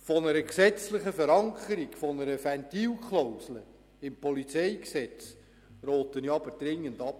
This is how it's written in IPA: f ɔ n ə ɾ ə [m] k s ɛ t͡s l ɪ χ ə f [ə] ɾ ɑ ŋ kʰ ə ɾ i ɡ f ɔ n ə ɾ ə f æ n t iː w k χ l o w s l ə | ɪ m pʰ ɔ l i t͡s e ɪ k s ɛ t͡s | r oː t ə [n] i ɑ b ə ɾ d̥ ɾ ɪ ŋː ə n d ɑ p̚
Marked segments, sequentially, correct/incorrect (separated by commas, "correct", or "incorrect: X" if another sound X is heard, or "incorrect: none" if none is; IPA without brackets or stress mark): incorrect: none, correct, correct